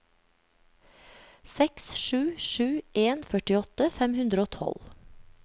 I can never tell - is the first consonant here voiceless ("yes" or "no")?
yes